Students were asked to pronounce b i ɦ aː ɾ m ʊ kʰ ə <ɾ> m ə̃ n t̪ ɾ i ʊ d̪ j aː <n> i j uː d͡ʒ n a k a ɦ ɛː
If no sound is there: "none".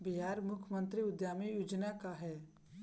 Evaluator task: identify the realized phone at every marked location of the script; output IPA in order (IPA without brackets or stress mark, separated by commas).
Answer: none, m